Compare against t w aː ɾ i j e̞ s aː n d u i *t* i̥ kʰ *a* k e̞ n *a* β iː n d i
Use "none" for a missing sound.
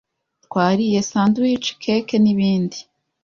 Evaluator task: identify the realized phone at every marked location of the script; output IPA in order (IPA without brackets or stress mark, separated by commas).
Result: t͡ʃ, e, i